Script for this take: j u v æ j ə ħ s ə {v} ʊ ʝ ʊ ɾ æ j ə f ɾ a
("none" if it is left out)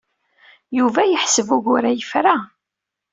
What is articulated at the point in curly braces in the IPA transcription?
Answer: v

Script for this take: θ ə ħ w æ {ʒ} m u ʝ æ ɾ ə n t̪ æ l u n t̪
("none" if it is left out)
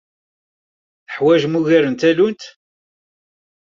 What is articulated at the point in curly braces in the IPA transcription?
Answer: ʒ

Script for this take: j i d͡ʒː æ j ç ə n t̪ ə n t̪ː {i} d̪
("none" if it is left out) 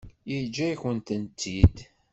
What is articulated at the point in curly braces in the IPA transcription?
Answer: i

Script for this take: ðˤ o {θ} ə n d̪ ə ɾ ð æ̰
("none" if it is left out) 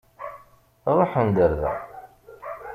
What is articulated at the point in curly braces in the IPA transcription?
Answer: ħ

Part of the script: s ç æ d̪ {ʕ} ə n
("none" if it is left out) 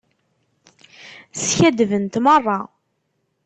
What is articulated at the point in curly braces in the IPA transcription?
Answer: v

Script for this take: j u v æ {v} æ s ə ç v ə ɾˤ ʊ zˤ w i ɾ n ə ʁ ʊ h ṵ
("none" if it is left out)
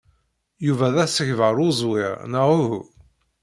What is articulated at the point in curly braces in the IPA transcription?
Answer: ð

